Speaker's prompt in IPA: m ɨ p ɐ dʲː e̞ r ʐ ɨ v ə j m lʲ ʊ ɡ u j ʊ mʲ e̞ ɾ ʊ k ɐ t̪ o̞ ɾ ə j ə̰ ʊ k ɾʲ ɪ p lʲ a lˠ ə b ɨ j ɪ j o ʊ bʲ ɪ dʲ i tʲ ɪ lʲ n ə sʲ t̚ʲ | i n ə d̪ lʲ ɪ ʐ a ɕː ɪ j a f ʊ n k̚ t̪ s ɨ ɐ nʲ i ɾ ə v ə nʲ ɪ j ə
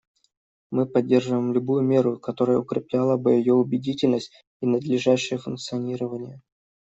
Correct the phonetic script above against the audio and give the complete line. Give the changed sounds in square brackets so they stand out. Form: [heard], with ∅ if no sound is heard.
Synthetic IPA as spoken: m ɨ p ɐ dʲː e̞ r ʐ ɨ v ə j m lʲ ʊ [b] u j ʊ mʲ e̞ ɾ ʊ k ɐ t̪ o̞ ɾ ə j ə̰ ʊ k ɾʲ ɪ p lʲ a lˠ ə b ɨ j ɪ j o ʊ bʲ ɪ dʲ i tʲ ɪ lʲ n ə sʲ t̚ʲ | i n ə d̪ lʲ ɪ ʐ a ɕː ɪ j [ə] f ʊ n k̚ t̪ s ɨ ɐ nʲ i ɾ ə v ə nʲ ɪ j ə

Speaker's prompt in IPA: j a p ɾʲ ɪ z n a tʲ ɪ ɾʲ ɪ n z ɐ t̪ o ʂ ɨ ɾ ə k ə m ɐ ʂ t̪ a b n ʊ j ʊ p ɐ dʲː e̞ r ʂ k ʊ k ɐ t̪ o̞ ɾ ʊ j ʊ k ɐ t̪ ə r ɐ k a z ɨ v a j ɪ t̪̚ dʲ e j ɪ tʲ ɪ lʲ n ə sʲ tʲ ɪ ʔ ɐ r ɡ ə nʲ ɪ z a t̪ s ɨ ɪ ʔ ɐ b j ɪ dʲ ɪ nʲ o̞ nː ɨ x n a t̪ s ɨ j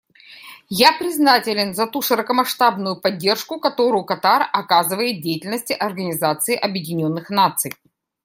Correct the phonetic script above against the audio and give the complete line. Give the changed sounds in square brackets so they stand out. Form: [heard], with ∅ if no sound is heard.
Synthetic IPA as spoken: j a p ɾʲ ɪ z n a tʲ ɪ [lʲ] ɪ n z ɐ t̪ [u] ʂ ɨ ɾ ə k ə m ɐ ʂ t̪ a b n ʊ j ʊ p ɐ dʲː e̞ r ʂ k ʊ k ɐ t̪ o̞ ɾ ʊ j ʊ k ɐ t̪ [a] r ɐ k a z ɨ v [ə] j ɪ t̪̚ dʲ e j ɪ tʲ ɪ lʲ n ə sʲ tʲ ɪ ʔ ɐ r ɡ ə nʲ ɪ z a t̪ s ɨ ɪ ʔ ɐ b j ɪ dʲ ɪ nʲ o̞ nː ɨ x n a t̪ s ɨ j

